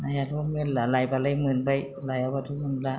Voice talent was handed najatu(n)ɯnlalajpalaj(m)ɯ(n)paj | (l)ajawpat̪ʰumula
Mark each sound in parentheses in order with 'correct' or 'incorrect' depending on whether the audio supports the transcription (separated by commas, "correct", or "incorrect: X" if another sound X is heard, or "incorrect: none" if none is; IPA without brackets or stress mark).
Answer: incorrect: m, correct, correct, correct